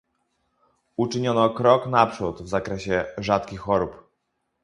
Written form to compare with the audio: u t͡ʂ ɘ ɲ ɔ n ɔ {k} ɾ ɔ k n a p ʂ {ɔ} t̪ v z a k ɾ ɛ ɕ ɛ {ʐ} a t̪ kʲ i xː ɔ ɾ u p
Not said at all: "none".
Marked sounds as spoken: k, u, ʐ

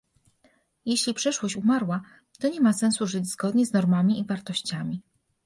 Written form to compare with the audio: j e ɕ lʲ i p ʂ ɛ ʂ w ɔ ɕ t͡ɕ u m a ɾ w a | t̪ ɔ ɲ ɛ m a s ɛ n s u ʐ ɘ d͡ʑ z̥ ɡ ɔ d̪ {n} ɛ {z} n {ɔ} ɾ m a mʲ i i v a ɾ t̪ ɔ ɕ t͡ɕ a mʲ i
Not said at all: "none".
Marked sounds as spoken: ɲ, z, ɔ

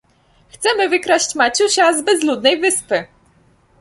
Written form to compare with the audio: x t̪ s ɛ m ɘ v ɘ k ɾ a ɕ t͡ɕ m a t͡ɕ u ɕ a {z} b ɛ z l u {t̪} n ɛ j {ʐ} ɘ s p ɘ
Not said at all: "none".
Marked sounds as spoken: z, d̪, v

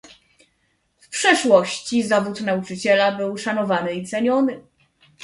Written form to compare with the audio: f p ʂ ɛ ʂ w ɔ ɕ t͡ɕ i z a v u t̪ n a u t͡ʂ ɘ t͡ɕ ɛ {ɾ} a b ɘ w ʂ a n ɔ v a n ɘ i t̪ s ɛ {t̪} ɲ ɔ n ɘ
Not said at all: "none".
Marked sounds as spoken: l, none

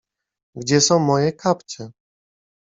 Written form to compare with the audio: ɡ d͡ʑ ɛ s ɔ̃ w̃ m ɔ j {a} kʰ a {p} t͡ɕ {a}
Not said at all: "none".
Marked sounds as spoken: ɛ, p, ɛ

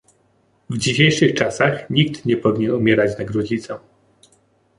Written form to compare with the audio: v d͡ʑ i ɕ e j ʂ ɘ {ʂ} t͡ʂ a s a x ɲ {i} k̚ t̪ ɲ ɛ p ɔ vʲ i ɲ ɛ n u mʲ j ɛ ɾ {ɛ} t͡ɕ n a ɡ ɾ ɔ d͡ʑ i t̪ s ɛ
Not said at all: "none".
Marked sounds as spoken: x, i, a

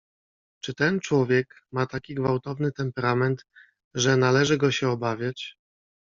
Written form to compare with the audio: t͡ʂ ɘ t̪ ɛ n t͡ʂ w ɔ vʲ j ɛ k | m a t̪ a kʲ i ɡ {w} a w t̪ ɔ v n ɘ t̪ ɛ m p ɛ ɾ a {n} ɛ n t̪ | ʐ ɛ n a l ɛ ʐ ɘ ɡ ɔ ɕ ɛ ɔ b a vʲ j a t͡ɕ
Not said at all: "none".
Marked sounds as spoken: v, m

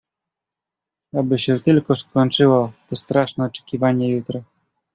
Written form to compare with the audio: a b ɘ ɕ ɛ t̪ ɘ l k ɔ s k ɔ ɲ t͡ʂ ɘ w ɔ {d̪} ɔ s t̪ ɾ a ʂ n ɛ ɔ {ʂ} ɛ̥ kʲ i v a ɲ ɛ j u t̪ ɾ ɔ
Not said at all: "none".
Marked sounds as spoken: t̪, t͡ʂ

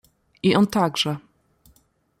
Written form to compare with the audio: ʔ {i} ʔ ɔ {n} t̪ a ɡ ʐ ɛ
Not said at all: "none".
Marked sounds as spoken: i, n

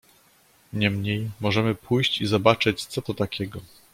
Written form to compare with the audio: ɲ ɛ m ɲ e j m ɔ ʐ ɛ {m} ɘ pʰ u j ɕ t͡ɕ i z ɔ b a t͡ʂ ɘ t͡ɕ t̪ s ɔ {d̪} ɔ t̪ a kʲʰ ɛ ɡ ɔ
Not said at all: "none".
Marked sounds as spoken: m, t̪

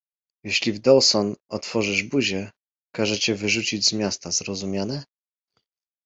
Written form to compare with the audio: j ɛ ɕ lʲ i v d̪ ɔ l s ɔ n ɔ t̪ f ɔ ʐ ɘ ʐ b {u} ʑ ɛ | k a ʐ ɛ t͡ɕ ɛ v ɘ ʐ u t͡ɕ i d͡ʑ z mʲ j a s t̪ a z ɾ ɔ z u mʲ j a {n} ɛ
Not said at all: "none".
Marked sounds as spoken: u, n

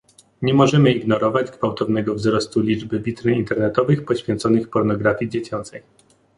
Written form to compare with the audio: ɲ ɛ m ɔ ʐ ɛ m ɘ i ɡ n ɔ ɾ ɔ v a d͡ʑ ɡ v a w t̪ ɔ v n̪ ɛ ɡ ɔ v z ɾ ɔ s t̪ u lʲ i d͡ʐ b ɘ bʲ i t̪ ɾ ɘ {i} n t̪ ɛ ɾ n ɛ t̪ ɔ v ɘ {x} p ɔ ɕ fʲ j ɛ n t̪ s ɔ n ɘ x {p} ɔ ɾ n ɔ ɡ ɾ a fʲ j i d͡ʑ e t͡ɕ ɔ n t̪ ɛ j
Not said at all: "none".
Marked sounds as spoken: i, x, p

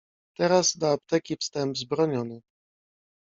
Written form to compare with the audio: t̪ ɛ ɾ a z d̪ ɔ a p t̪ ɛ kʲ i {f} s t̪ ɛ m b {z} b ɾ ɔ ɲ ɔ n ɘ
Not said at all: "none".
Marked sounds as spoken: f, z

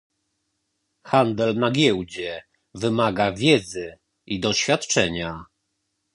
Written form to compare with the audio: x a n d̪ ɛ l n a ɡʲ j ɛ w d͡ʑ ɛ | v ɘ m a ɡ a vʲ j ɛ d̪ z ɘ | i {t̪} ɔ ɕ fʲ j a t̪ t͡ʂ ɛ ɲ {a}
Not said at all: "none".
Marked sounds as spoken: d̪, a

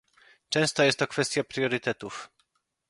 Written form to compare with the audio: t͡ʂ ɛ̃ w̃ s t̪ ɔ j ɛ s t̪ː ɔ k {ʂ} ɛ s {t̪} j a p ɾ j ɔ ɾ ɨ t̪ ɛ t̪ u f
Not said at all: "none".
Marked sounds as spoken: f, t̪

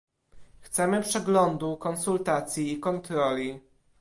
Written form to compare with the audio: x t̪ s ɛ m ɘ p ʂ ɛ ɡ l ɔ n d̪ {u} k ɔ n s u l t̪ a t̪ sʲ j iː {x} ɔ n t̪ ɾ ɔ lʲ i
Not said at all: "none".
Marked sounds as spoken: u, k

